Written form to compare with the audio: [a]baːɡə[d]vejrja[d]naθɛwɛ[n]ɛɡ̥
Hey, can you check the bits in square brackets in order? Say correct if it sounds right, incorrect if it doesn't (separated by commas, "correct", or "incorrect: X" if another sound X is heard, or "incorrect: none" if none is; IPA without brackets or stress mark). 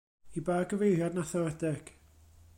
incorrect: i, incorrect: none, correct, incorrect: d